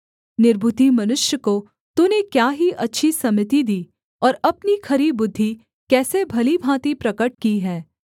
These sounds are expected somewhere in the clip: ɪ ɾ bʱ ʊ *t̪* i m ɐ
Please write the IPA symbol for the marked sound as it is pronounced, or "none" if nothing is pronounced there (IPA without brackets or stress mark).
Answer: t̪